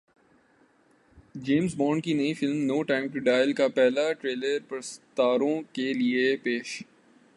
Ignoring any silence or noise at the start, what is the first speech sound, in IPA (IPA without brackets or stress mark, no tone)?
d͡ʒ